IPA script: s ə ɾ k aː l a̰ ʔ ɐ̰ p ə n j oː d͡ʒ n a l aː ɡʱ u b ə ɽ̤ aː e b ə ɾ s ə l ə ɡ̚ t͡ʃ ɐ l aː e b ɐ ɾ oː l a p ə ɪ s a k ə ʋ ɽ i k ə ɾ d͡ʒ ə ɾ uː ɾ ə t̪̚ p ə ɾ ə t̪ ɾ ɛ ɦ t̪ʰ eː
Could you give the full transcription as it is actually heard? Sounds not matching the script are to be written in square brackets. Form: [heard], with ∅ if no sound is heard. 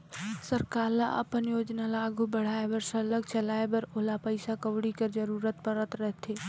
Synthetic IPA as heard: s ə ɾ k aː l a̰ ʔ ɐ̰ p ə n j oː d͡ʒ n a l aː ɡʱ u b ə ɽ̤ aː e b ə ɾ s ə l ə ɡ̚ t͡ʃ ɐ l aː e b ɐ ɾ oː l a p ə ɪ s a k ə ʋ ɽ i k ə ɾ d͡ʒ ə ɾ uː ɾ ə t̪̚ p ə ɾ ə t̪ ɾ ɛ ɦ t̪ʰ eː